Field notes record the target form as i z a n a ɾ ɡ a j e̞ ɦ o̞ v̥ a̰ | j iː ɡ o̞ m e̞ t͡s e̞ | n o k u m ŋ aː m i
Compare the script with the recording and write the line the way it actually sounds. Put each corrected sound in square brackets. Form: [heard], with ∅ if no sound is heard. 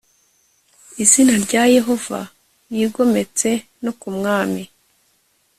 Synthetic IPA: i z [i] n a ɾ [ɟ] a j e̞ ɦ o̞ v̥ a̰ | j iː ɡ o̞ m e̞ t͡s e̞ | n o k u m ŋ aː m i